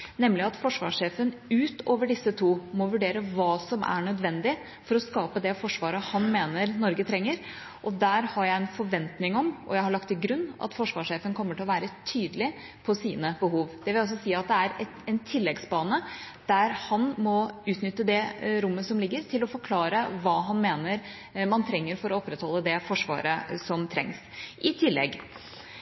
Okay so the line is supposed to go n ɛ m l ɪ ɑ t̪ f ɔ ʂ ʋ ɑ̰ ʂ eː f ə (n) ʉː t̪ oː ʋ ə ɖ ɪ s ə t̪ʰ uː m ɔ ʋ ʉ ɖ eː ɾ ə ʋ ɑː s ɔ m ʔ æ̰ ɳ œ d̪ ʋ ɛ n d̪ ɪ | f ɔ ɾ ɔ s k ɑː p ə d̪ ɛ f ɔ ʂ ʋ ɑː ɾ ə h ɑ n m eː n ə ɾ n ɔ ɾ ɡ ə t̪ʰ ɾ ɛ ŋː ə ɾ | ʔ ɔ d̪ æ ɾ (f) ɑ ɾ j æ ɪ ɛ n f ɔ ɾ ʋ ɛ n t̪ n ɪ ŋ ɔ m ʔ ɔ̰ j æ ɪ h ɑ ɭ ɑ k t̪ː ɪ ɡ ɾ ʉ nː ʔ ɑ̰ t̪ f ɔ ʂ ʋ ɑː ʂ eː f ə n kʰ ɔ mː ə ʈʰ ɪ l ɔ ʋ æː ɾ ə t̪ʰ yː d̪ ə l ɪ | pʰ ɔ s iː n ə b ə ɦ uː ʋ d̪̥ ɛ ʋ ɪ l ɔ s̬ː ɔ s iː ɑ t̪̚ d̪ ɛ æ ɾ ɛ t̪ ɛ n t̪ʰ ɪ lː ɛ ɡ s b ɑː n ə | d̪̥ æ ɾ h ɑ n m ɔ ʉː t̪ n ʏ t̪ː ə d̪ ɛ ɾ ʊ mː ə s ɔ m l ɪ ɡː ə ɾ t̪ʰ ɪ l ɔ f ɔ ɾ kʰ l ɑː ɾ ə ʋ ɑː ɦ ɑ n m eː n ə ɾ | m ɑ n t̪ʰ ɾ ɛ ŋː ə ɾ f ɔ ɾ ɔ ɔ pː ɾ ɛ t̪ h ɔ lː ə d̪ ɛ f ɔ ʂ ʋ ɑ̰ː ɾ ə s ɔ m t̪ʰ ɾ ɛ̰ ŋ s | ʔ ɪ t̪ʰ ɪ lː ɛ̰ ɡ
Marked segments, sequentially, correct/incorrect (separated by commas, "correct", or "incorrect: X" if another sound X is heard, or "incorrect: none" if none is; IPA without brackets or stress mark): correct, incorrect: h